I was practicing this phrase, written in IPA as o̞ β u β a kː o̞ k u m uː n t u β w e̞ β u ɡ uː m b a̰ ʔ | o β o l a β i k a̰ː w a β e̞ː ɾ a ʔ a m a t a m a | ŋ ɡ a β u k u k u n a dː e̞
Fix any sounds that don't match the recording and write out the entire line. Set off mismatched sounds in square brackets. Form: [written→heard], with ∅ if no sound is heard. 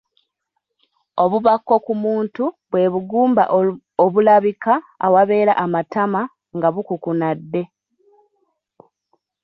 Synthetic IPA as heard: o̞ β u β a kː o̞ k u m uː n t u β w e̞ β u ɡ uː m b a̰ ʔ | o β [o→u] l a β i k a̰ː w a β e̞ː ɾ a ʔ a m a t a m a | ŋ ɡ a β u k u k u n a dː e̞